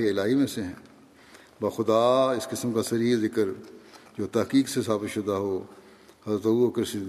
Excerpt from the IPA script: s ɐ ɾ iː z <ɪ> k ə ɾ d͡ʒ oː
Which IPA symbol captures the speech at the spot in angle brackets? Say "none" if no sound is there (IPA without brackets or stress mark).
ɪ